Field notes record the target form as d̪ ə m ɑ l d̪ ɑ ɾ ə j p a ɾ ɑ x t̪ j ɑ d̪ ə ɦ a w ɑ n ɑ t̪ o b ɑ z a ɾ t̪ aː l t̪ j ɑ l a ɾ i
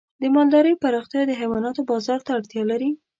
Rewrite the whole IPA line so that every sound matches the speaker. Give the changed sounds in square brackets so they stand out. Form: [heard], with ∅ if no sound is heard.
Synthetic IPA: d̪ ə m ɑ l d̪ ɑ ɾ ə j p a ɾ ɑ x t̪ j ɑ d̪ ə ɦ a w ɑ n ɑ t̪ o b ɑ z [ɑ] ɾ t̪ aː [ɽ] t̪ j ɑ l a ɾ i